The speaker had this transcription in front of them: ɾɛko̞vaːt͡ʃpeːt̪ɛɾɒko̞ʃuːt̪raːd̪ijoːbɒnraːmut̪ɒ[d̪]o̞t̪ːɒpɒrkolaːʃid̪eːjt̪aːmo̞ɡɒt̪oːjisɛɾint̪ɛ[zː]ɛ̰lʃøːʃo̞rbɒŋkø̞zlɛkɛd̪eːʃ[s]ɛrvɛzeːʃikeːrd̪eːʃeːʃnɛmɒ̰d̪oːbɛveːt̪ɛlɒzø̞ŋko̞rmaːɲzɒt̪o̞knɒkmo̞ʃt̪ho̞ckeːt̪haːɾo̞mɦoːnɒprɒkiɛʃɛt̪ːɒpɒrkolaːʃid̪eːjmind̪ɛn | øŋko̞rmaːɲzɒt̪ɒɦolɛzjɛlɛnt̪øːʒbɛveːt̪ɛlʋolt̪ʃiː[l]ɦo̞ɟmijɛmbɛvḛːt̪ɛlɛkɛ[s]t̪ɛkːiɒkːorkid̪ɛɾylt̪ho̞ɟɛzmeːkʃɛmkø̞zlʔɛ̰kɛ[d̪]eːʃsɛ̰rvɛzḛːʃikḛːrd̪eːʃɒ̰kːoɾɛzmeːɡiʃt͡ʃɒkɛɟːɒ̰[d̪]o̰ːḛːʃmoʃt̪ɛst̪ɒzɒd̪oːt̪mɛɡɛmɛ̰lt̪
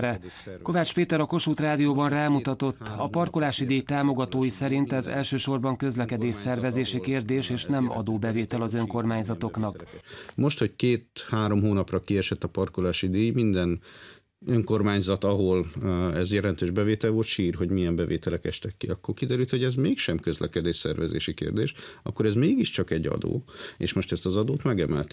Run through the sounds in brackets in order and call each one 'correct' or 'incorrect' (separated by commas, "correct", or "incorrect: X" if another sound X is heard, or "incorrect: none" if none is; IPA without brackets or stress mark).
incorrect: t̪, incorrect: z, correct, incorrect: r, incorrect: ʃ, correct, correct